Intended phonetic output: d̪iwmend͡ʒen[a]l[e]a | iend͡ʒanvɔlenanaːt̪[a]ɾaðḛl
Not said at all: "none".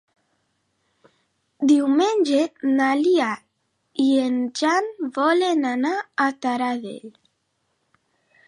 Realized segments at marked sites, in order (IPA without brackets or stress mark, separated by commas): a, i, a